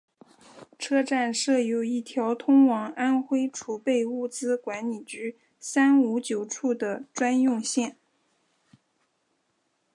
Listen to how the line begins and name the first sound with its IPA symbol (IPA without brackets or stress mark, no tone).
ʈ͡ʂʰ